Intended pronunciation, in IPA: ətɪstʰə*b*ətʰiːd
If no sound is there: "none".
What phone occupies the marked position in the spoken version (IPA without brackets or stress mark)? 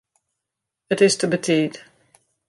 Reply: b